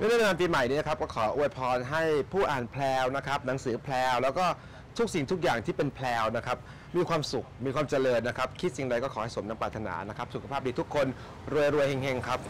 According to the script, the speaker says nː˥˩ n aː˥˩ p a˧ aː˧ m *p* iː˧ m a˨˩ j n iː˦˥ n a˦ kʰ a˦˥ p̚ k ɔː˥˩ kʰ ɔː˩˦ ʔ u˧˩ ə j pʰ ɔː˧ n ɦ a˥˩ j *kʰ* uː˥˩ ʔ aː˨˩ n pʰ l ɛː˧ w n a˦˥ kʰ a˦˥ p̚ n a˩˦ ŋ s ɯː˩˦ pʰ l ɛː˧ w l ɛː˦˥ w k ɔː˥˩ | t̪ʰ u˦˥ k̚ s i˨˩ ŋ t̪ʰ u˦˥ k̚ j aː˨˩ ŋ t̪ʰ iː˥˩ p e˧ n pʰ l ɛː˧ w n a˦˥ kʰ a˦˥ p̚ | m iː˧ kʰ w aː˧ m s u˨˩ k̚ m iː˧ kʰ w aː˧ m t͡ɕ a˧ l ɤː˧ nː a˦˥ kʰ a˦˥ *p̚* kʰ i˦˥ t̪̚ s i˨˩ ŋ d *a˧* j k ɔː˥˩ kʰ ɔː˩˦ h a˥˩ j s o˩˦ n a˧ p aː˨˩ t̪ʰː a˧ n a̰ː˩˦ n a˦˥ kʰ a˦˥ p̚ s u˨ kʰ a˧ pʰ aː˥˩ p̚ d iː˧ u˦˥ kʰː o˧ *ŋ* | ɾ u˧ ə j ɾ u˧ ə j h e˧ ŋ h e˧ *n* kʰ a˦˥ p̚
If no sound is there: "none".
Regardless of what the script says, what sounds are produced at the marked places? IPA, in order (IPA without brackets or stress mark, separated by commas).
p, pʰ, p̚, a˧, n, ŋ